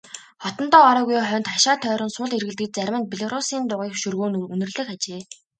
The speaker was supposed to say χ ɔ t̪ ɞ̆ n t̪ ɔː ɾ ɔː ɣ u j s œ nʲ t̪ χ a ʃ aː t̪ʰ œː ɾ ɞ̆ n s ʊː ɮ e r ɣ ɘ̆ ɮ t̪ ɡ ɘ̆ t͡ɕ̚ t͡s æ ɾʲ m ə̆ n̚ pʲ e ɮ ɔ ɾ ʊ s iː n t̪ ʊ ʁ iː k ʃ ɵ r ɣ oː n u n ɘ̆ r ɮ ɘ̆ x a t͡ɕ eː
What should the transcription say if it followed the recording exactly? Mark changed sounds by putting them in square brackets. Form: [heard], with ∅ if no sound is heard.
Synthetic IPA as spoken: χ ɔ t̪ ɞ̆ n t̪ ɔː ɾ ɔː ɣ u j [χ] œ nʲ t̪ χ a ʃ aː t̪ʰ œː ɾ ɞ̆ n s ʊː ɮ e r ɣ ɘ̆ ɮ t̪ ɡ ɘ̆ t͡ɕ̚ t͡s æ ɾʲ m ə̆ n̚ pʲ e ɮ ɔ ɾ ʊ s iː n t̪ ʊ ʁ iː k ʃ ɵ r ɣ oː n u n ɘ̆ r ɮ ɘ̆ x a t͡ɕ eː